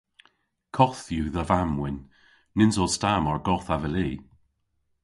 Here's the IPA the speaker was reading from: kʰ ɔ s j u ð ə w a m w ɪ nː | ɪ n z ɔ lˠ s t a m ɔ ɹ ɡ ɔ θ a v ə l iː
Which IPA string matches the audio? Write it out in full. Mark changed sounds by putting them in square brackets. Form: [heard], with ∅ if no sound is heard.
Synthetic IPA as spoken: kʰ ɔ [θ] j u ð ə [v] a m w ɪ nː | ɪ n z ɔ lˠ s t a m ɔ ɹ ɡ ɔ θ a v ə l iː